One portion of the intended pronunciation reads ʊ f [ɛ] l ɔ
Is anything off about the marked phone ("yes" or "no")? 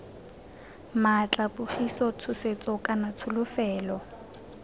yes